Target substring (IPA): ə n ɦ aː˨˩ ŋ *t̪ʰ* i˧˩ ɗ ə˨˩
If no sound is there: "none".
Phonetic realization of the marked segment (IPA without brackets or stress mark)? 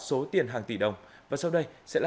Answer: t̪